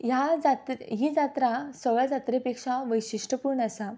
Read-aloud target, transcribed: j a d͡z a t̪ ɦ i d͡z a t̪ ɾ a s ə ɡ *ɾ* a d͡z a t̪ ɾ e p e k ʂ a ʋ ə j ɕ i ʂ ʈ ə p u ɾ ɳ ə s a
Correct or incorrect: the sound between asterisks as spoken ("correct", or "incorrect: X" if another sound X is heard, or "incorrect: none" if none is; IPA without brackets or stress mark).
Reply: incorrect: ɭ